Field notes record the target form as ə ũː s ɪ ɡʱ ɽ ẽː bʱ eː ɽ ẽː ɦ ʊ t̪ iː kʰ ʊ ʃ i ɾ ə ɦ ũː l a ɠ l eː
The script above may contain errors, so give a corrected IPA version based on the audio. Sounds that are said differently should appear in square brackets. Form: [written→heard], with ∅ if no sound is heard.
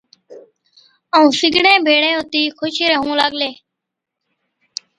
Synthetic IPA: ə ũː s ɪ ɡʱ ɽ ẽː bʱ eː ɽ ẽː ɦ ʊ t̪ iː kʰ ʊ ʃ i ɾ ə ɦ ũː l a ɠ l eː